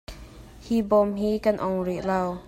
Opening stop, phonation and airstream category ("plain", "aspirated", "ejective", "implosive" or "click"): plain